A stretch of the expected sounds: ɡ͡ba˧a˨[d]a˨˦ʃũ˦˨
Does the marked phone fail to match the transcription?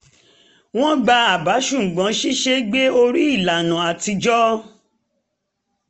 yes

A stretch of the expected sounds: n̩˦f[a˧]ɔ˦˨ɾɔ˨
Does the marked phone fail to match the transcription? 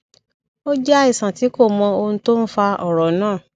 no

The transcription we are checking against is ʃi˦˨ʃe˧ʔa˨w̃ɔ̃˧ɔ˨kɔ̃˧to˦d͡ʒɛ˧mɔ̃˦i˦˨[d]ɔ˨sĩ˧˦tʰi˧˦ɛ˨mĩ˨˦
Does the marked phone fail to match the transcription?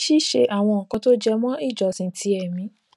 yes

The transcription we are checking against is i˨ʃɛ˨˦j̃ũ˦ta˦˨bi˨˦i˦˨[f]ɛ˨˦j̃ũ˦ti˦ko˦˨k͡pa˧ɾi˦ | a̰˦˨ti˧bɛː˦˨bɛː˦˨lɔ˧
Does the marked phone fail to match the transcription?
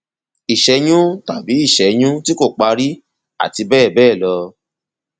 yes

